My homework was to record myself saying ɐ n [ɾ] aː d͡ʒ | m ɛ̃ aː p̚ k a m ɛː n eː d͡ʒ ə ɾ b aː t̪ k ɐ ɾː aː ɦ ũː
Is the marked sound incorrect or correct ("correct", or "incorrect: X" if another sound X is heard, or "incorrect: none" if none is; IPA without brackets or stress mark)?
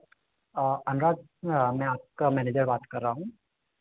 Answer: correct